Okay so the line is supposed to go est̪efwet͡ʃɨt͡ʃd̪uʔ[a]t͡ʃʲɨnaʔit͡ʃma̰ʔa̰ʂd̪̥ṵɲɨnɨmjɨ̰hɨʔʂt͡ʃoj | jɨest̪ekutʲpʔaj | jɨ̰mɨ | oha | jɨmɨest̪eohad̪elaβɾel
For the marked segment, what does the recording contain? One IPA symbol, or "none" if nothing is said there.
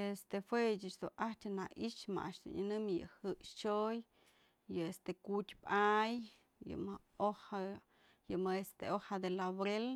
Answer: a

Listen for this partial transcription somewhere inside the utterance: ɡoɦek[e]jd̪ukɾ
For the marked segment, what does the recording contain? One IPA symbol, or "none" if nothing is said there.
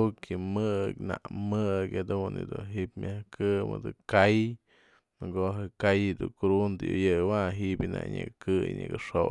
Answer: a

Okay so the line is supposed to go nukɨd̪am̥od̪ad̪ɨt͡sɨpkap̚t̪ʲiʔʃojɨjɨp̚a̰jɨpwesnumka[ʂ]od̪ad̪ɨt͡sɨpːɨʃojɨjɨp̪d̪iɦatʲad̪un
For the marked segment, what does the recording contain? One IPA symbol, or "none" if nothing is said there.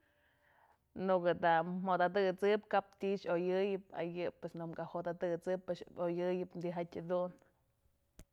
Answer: h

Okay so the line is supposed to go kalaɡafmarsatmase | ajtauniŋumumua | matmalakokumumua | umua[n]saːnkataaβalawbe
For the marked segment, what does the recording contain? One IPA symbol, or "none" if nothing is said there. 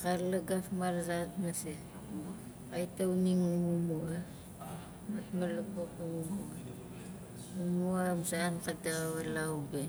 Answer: m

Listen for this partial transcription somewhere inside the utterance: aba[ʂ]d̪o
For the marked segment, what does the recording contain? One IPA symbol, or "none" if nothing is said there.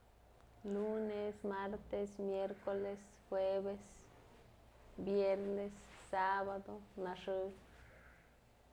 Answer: none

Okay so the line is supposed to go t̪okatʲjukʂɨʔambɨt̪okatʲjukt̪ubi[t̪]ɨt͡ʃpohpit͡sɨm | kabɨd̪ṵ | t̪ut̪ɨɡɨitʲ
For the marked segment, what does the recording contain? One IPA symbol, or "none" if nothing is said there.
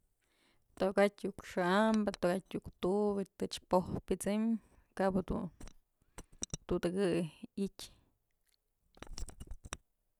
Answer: t̪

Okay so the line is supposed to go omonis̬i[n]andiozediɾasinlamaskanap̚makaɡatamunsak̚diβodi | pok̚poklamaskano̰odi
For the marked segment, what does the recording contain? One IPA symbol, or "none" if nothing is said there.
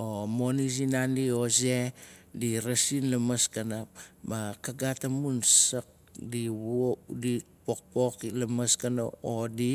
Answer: n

